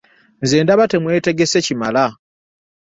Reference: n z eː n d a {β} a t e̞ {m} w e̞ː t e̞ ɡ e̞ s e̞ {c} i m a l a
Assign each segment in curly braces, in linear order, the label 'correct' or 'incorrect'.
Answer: correct, correct, correct

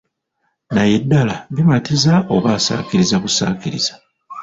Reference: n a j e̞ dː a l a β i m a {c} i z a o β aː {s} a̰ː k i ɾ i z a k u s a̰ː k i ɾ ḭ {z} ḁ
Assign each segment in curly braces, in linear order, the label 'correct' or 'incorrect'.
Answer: incorrect, correct, correct

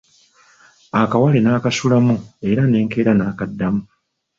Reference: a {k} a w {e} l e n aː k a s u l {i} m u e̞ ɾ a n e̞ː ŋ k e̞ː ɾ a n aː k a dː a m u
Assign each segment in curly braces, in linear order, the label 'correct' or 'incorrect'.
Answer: correct, incorrect, incorrect

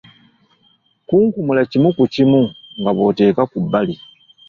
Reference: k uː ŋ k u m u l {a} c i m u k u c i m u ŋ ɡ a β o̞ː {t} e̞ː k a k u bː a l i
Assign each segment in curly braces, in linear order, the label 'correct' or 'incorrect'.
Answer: correct, correct

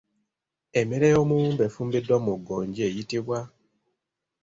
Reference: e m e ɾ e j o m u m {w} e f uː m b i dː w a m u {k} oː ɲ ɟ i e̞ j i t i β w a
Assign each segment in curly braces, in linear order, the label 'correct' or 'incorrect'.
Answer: incorrect, incorrect

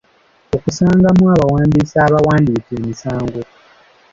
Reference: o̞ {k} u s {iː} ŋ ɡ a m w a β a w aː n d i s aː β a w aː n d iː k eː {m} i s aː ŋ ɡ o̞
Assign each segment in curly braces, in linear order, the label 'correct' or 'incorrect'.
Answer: correct, incorrect, correct

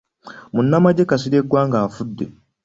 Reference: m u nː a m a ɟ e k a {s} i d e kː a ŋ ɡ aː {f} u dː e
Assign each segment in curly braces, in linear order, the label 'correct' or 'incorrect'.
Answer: correct, correct

